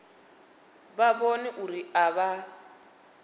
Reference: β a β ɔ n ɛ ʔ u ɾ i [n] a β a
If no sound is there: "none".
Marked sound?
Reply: none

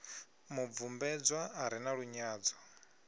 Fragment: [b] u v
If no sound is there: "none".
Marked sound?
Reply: m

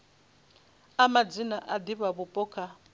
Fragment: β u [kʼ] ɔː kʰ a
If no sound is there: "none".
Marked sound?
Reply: pʼ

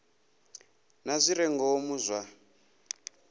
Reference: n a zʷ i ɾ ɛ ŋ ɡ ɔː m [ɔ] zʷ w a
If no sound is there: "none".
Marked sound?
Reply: u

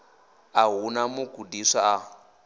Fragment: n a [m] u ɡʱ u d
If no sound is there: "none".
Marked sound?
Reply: m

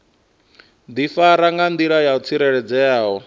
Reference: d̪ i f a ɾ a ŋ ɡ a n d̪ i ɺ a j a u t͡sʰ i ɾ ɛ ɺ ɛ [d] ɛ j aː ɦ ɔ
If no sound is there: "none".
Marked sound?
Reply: d͡z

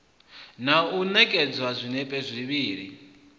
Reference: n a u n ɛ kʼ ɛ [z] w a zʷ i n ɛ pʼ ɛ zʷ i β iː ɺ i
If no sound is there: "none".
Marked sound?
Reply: d͡z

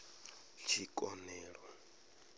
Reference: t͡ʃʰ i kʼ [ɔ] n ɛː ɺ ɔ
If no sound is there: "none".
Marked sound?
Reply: ɔ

